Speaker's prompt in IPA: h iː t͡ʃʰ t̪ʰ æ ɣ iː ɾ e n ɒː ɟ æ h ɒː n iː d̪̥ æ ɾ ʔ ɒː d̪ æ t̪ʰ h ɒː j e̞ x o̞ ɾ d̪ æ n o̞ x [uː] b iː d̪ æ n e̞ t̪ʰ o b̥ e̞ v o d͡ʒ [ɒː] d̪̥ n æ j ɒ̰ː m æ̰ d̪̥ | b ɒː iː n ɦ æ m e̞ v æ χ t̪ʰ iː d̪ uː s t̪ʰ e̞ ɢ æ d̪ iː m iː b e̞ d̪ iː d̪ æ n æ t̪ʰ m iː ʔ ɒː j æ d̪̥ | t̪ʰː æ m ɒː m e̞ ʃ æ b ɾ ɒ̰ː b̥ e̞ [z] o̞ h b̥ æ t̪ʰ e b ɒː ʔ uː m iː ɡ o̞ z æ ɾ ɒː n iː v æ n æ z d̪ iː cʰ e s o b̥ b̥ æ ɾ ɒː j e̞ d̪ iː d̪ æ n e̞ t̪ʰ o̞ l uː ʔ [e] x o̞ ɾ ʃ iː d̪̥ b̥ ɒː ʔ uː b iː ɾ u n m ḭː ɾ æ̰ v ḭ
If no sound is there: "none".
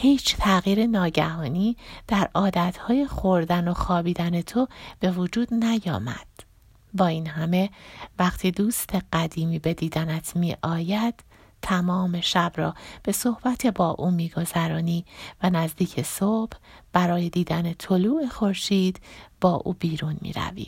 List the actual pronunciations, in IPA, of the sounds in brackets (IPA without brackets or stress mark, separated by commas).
ɒː, uː, s, e